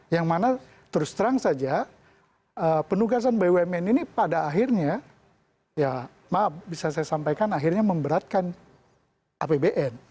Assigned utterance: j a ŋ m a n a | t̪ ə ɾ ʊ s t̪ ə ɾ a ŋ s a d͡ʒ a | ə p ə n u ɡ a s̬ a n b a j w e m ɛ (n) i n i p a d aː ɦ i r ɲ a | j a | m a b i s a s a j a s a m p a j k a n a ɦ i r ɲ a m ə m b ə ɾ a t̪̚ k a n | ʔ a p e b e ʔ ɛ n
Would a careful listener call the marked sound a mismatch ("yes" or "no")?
no